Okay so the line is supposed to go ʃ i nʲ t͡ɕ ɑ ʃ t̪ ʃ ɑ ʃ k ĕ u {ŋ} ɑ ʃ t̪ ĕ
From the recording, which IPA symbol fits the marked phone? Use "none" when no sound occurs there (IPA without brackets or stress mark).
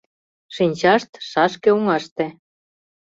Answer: ŋ